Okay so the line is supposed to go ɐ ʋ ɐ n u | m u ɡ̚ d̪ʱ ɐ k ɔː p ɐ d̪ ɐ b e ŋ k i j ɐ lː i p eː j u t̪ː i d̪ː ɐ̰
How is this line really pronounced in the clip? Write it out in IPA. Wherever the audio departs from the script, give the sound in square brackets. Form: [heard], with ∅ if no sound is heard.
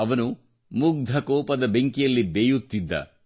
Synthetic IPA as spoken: ɐ ʋ ɐ n u | m u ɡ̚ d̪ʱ ɐ k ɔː p ɐ d̪ ɐ b e ŋ k i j ɐ lː i [b] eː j u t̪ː i d̪ː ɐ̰